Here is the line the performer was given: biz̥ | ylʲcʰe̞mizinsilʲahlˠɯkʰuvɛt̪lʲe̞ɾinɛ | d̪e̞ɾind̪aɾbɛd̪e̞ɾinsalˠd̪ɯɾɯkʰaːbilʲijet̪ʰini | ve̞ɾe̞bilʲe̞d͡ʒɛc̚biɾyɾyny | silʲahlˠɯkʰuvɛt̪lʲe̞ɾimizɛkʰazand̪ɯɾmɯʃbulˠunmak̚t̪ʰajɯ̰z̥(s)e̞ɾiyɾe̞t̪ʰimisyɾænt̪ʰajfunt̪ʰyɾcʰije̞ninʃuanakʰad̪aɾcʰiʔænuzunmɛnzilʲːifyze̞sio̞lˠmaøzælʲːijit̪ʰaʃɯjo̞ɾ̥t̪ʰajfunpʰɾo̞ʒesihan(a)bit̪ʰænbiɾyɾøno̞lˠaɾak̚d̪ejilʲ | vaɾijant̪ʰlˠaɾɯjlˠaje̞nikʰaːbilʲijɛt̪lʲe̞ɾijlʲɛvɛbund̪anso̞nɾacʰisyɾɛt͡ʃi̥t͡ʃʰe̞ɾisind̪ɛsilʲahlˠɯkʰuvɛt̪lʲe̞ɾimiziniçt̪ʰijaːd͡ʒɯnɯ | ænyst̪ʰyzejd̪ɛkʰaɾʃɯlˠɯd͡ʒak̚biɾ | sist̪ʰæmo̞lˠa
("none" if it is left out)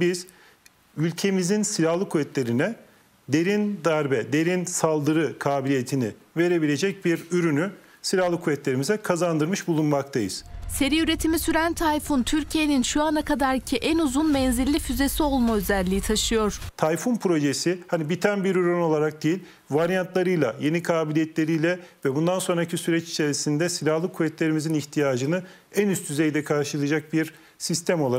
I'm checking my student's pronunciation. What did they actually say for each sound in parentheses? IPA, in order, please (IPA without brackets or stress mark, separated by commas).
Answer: s, i